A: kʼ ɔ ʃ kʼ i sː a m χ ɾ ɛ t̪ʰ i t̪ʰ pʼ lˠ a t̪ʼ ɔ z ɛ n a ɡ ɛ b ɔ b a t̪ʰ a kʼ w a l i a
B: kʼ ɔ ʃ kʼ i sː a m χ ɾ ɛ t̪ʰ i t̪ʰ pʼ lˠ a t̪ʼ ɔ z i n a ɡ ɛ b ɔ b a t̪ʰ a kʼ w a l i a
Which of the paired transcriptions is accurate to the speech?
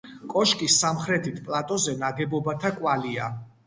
A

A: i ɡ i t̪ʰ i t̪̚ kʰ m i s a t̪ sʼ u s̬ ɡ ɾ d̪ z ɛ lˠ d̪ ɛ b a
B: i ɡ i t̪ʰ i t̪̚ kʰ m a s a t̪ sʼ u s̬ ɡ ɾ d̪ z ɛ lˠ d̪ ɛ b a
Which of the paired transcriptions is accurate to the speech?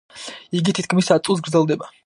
A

